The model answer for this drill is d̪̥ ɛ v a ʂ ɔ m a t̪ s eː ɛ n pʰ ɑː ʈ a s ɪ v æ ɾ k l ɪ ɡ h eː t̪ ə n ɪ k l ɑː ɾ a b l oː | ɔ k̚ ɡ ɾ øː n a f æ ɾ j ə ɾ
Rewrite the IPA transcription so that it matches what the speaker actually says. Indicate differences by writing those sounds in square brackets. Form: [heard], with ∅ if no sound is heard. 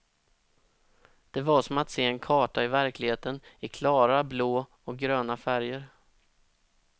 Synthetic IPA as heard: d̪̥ ɛ v a ʂ ɔ m a t̪ s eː ɛ n [kʰ] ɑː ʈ a [∅] ɪ v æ ɾ k l ɪ ɡ h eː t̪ ə n ɪ [kʰ] l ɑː ɾ a b l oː | ɔ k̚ ɡ ɾ øː n a f æ ɾ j ə ɾ